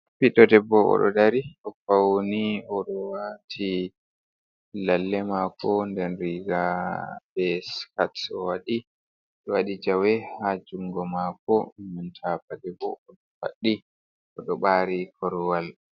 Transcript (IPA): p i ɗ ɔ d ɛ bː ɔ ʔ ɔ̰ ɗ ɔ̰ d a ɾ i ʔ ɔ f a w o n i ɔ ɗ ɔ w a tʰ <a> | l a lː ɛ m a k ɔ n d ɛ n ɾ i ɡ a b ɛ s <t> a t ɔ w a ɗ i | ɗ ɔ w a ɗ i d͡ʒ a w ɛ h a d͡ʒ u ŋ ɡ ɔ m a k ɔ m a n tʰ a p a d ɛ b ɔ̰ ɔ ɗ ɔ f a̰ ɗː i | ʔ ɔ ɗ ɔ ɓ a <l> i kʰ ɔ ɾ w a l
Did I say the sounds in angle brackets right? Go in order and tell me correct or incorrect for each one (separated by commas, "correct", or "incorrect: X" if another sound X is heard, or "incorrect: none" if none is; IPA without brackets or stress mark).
incorrect: i, incorrect: k, incorrect: ɾ